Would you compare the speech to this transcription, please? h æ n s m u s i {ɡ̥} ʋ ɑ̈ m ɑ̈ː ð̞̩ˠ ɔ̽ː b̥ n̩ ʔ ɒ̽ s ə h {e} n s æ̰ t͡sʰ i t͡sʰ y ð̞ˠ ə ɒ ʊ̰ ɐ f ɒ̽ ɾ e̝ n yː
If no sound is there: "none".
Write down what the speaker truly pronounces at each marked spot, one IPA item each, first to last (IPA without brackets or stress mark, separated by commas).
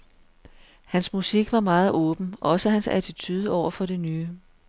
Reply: ɡ̥, æ